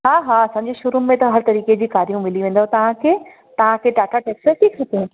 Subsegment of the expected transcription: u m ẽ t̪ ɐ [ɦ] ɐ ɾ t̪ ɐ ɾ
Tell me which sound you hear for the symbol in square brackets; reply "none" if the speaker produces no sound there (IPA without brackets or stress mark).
ɦ